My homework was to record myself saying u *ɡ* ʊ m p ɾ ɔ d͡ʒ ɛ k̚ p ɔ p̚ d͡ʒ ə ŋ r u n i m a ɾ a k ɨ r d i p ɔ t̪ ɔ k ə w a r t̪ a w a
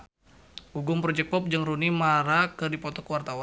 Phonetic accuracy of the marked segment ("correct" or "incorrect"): correct